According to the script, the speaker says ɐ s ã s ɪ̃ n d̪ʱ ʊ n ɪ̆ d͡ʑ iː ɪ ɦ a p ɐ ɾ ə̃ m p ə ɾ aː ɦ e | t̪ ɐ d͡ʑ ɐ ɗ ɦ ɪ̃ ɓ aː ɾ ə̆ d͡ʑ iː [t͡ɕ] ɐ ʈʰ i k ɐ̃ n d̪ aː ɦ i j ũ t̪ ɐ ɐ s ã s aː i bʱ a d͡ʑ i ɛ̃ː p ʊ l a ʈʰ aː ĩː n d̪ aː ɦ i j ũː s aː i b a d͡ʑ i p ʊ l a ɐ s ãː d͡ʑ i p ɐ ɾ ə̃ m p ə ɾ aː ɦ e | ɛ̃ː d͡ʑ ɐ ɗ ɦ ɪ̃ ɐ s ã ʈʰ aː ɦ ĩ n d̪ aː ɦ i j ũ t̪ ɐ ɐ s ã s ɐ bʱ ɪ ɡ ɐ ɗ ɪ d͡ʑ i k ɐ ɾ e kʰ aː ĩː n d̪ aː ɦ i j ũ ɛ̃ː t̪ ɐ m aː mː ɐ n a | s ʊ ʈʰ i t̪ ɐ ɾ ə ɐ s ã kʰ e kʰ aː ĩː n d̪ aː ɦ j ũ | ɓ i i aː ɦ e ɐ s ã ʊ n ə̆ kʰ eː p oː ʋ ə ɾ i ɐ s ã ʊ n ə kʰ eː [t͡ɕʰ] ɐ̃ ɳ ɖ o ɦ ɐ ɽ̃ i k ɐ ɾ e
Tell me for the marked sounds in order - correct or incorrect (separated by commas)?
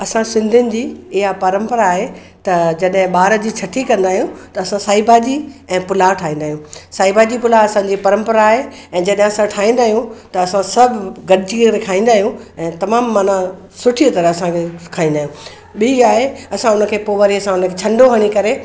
incorrect, correct